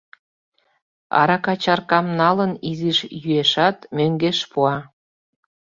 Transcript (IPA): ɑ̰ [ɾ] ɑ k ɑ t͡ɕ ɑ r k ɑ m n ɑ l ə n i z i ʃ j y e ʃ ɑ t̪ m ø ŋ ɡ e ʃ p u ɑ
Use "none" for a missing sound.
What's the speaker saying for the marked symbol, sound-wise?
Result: ɾ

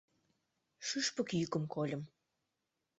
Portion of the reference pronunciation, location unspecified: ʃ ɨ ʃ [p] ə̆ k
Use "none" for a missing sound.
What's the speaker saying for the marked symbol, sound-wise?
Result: p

